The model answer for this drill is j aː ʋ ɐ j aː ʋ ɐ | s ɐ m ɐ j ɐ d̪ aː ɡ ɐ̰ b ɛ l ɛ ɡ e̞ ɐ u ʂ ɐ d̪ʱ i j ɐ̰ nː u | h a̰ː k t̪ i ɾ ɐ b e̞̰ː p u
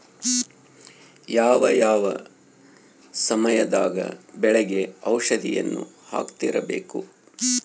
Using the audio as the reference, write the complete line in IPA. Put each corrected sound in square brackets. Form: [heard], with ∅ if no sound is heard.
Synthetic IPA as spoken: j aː ʋ ɐ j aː ʋ ɐ | s ɐ m ɐ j ɐ d̪ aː ɡ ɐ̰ b ɛ [ɭ] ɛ ɡ e̞ ɐ [w] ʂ ɐ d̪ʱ i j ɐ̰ nː u | h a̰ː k t̪ i ɾ ɐ b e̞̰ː [k] u